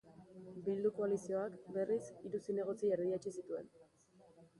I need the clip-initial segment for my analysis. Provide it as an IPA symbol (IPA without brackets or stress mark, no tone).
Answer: b